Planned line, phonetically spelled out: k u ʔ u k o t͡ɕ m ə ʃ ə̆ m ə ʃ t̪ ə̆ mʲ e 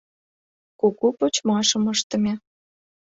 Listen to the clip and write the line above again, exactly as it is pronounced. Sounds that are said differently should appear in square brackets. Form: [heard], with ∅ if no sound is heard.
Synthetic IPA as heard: k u [k] u [p] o t͡ɕ m [ɑ] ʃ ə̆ m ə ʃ t̪ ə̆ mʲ e